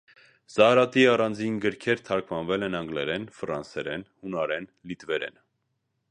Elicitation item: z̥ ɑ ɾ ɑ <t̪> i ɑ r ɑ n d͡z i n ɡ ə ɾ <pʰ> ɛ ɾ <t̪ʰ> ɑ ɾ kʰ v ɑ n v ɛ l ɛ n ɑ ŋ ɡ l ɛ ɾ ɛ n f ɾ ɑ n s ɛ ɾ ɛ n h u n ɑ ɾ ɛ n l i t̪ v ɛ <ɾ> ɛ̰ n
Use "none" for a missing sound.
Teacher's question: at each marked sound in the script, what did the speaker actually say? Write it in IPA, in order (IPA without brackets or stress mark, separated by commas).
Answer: t̪, kʰ, t̪ʰ, ɾ